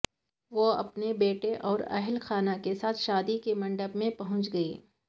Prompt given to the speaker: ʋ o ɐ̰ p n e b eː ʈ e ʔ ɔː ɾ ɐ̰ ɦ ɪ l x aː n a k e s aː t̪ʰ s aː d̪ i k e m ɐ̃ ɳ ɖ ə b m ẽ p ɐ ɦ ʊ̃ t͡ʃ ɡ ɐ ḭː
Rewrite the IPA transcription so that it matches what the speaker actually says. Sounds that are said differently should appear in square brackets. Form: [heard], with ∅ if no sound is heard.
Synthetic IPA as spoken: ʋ o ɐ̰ p n e b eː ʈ e ʔ ɔː ɾ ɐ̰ ɦ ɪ l x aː n a k e s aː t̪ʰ [ʃ] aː d̪ i k e m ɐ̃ ɳ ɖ ə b m ẽ p ɐ ɦ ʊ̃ t͡ʃ ɡ ɐ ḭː